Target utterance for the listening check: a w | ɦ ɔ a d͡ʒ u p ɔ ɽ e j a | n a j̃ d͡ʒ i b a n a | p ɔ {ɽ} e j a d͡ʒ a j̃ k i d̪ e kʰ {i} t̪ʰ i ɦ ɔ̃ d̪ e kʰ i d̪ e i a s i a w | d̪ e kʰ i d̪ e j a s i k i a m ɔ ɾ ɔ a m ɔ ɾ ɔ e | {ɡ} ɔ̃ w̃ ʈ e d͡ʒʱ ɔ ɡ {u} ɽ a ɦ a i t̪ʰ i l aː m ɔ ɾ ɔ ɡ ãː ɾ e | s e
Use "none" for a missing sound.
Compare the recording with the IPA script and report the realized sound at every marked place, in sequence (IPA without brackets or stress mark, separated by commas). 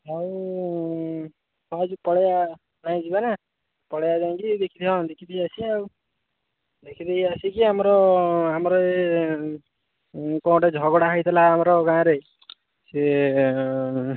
ɽ, i, k, ɔ